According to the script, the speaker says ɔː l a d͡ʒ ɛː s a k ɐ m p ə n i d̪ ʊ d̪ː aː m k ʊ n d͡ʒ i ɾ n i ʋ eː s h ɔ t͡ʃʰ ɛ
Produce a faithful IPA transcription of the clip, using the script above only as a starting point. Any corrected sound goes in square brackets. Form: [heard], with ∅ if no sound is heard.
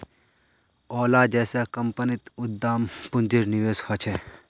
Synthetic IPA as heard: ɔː l a d͡ʒ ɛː s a k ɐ m p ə n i [t̪] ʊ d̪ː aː m [p] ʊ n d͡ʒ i ɾ n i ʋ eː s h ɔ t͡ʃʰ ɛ